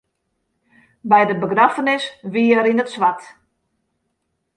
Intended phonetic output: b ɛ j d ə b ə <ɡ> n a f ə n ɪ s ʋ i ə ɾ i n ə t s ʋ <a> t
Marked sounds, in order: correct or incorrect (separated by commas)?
correct, correct